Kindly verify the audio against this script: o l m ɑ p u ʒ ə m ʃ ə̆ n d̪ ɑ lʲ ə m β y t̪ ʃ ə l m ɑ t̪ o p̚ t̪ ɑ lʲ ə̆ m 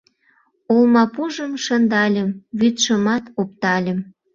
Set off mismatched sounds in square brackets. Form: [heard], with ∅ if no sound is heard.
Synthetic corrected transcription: o l m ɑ p u ʒ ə m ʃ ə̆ n d̪ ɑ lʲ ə m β y t̪ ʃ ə [∅] m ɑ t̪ o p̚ t̪ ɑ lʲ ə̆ m